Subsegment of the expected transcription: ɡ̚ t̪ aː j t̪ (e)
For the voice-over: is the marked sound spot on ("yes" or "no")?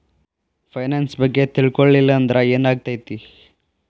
no